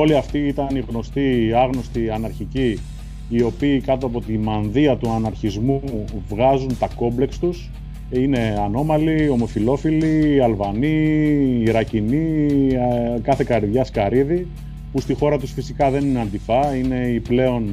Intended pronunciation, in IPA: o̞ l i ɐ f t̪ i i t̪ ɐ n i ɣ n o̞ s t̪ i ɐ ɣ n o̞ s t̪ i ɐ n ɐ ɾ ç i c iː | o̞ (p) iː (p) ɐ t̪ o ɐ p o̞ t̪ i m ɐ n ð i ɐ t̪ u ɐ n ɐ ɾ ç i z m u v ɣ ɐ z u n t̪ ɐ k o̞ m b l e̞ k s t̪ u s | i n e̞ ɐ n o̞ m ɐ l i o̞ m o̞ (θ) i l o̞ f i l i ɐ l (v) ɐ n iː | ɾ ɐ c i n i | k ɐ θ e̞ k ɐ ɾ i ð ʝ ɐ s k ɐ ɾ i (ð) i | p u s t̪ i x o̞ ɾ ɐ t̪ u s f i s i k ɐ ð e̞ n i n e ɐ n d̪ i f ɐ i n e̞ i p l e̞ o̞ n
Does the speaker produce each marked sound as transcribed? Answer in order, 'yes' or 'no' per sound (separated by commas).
yes, no, no, yes, yes